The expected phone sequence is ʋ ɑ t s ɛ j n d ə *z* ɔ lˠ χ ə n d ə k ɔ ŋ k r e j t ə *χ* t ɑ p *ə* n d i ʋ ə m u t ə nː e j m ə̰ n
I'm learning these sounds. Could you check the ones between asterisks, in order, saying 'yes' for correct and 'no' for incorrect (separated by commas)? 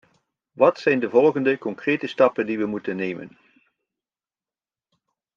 no, no, yes